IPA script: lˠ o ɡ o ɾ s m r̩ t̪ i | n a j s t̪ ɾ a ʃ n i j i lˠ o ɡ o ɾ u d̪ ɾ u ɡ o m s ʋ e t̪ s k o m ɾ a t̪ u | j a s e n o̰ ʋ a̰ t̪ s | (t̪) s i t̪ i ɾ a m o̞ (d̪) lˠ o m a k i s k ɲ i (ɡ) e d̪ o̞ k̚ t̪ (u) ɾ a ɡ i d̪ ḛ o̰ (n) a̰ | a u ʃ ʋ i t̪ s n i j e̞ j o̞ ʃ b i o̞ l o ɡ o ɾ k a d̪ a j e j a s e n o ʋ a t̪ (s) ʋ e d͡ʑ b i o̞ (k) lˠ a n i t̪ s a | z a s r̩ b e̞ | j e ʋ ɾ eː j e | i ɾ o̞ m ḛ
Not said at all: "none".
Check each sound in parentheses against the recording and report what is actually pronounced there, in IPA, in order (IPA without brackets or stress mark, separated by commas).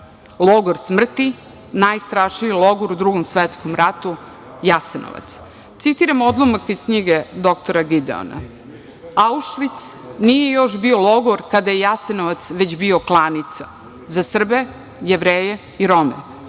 t̪, d̪, ɡ, o, n, s, k